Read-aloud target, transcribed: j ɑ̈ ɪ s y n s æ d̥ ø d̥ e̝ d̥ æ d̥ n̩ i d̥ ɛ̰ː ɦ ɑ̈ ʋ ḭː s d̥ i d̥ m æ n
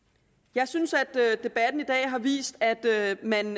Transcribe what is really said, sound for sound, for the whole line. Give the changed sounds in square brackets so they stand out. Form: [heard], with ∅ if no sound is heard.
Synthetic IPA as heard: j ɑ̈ ɪ s y n s æ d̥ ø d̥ e̝ [b̥] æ d̥ n̩ i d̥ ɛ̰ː ɦ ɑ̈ ʋ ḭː s d̥ [æ] d̥ m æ n